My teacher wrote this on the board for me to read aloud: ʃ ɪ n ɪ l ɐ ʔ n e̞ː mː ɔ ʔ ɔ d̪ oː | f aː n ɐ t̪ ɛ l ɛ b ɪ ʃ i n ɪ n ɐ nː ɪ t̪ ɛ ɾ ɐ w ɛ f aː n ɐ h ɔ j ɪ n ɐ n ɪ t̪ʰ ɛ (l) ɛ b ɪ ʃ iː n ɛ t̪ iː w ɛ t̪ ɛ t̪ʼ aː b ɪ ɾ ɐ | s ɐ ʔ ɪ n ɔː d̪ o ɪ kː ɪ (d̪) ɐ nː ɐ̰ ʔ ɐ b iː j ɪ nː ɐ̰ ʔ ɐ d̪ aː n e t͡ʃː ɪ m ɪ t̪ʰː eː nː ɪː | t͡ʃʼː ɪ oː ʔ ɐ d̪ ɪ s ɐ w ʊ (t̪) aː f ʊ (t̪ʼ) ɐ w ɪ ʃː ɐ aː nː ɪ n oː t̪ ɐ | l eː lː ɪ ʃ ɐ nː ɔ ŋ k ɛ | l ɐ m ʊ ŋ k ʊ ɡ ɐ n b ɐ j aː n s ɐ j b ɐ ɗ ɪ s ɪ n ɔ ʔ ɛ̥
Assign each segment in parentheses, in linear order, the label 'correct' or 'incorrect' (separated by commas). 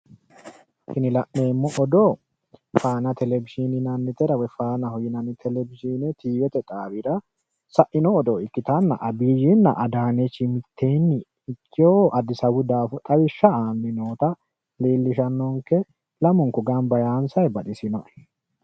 correct, incorrect, incorrect, correct